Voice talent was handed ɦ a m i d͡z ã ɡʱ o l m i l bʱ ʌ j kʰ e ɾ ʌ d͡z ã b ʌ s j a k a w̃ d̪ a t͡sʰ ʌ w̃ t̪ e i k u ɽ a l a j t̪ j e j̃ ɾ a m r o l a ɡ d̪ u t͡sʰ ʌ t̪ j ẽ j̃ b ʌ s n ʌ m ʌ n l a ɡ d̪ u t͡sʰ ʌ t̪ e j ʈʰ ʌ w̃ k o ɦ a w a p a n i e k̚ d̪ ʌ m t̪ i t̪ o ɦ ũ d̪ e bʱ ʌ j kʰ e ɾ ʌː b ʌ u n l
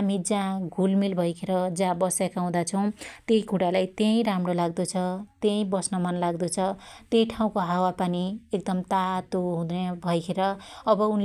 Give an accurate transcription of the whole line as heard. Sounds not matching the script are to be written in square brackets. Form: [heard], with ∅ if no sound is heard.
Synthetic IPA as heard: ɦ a m i d͡z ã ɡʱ [u] l m i l bʱ ʌ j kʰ e ɾ ʌ d͡z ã b ʌ s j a k a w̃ d̪ a t͡sʰ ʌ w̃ t̪ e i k u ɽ a l a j t̪ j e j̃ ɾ a m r o l a ɡ d̪ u t͡sʰ ʌ t̪ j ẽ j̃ b ʌ s n ʌ m ʌ n l a ɡ d̪ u t͡sʰ ʌ t̪ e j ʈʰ [a] w̃ k o ɦ a w a p a n i e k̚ d̪ ʌ m t̪ [a] t̪ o ɦ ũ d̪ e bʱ ʌ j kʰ e ɾ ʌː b ʌ u n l